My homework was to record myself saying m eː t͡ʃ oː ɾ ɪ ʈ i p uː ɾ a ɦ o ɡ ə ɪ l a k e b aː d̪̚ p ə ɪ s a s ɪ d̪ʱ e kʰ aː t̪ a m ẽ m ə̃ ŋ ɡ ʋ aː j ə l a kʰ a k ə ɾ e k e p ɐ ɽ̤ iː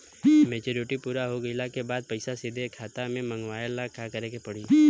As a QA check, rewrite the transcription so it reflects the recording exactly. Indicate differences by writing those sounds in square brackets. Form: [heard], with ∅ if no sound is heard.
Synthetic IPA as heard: m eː t͡ʃ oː ɾ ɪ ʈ i p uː ɾ a ɦ o ɡ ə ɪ l a k e b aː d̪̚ p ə ɪ s a s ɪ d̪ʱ e kʰ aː t̪ a m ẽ m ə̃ ŋ ɡ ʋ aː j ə l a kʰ a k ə ɾ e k e p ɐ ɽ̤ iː